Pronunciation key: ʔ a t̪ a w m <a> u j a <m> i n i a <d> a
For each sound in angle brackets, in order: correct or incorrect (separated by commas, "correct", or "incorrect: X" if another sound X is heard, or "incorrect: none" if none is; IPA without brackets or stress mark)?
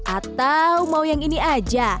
correct, incorrect: ŋ, incorrect: d͡ʒ